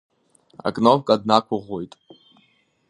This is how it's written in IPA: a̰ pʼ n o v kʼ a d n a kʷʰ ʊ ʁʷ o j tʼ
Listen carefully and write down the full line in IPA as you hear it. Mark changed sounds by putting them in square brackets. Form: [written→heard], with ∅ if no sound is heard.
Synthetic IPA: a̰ [pʼ→kʼ] n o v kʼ a d n a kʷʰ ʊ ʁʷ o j tʼ